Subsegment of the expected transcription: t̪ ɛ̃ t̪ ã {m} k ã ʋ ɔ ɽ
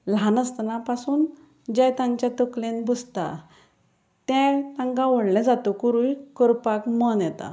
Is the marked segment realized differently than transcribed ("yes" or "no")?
yes